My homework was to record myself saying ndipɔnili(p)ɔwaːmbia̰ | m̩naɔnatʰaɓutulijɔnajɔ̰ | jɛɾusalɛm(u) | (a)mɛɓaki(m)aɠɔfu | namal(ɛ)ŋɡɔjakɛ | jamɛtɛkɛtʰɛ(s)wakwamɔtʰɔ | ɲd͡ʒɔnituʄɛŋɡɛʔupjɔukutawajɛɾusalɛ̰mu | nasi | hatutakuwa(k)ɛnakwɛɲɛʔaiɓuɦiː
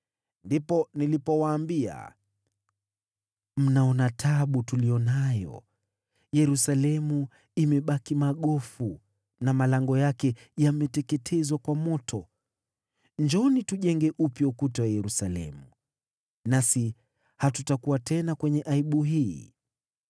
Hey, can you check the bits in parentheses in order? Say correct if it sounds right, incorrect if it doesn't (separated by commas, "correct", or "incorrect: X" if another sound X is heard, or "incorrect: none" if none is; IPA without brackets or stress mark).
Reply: correct, correct, incorrect: i, correct, incorrect: a, incorrect: z, incorrect: t